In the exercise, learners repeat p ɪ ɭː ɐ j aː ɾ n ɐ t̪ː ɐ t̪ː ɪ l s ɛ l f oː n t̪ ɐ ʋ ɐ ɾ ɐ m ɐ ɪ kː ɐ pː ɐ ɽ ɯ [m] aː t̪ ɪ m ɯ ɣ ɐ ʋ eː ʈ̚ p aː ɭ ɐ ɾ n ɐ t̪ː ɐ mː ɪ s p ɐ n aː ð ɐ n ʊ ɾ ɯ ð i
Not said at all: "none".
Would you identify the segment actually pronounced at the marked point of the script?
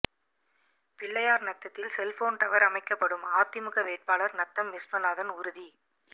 m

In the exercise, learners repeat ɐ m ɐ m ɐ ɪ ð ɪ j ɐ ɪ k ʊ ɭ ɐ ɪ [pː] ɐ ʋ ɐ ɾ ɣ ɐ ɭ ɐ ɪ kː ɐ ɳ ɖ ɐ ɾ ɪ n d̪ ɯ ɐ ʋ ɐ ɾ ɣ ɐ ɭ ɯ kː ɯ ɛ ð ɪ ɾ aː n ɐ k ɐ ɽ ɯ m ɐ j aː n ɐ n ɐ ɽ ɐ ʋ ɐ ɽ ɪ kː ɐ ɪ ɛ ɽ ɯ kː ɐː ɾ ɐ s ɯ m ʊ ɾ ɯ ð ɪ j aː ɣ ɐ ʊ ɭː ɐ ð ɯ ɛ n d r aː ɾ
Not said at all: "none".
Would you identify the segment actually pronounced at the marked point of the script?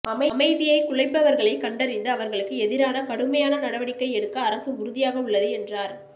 pː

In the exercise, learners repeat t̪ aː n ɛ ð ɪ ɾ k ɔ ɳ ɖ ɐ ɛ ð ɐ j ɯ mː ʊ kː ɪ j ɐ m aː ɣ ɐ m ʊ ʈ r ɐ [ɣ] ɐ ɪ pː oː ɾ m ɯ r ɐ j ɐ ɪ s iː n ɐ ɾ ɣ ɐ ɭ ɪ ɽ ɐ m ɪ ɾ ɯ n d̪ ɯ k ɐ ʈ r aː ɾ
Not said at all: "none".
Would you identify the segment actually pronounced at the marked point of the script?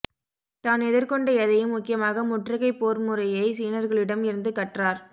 ɣ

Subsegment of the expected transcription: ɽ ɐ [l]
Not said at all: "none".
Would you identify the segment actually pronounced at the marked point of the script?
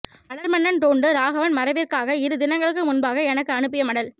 l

